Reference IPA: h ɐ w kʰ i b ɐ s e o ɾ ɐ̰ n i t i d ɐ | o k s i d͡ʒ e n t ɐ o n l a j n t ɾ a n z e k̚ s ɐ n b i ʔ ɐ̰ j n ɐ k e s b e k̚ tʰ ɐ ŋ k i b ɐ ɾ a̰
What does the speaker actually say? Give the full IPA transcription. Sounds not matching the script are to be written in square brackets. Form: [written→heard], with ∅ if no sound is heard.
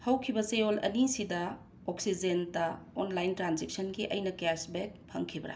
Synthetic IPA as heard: h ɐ w kʰ i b ɐ s e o [ɾ→l] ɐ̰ n i [t→s] i d ɐ | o k s i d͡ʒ e n t ɐ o n l a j n t ɾ a n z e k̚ s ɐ n [b→ɡ] i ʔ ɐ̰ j n ɐ k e s b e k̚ [tʰ→pʰ] ɐ ŋ [k→kʰ] i b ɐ ɾ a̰